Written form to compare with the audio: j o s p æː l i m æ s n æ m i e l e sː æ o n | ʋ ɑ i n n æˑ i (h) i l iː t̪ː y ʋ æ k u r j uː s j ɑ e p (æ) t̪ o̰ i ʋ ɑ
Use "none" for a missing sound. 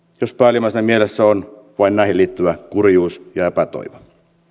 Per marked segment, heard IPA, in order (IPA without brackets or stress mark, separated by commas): h, æ